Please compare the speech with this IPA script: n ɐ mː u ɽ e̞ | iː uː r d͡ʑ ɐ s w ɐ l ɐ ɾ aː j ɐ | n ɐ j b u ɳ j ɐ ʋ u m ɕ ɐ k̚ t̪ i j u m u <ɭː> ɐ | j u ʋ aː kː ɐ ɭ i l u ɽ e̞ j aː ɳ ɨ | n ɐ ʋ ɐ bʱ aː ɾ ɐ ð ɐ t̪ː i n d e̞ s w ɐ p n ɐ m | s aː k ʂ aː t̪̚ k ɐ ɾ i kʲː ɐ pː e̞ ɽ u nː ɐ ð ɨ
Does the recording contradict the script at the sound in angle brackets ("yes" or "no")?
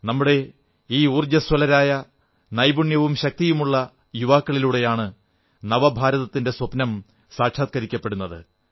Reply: no